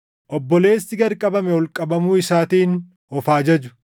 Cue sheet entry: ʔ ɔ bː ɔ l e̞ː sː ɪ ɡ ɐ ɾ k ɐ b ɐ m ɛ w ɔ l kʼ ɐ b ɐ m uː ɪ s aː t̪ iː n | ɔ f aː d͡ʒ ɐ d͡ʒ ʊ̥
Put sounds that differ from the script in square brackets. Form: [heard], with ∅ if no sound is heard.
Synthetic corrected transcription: ʔ ɔ bː ɔ l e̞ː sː ɪ ɡ ɐ ɾ [kʼ] ɐ b ɐ m ɛ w ɔ l kʼ ɐ b ɐ m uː ɪ s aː t̪ iː n | ɔ f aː d͡ʒ ɐ d͡ʒ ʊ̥